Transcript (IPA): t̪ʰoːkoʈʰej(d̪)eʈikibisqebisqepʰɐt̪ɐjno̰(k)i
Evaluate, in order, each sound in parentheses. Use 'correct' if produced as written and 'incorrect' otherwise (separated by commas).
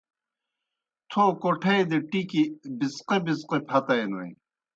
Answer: correct, incorrect